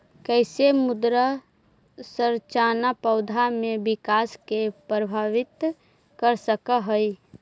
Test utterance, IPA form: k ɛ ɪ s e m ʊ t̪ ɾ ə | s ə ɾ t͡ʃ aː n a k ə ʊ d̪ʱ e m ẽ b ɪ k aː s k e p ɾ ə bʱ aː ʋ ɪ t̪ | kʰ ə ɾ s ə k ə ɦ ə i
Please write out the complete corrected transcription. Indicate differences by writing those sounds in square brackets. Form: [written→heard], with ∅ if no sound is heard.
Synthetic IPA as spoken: k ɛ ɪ s e m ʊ [t̪→d̪] ɾ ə | s ə ɾ t͡ʃ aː n a [k→p] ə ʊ d̪ʱ [e→a] m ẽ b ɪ k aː s k e p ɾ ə bʱ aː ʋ ɪ t̪ | [kʰ→k] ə ɾ s ə k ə ɦ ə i